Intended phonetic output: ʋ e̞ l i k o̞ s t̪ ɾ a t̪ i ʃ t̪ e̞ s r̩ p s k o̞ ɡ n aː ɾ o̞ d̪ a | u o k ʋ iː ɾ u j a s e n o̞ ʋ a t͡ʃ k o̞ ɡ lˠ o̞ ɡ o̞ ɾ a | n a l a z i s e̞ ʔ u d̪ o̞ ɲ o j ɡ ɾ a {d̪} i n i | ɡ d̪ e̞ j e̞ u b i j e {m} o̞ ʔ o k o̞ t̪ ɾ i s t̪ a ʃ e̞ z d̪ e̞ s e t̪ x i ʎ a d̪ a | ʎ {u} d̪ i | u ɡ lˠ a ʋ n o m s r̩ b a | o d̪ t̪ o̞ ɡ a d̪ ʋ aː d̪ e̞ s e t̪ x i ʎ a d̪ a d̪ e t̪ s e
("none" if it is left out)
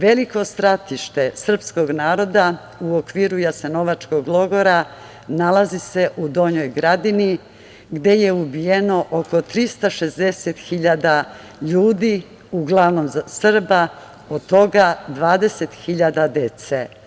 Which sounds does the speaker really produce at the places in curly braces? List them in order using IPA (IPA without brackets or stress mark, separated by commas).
d̪, n, uː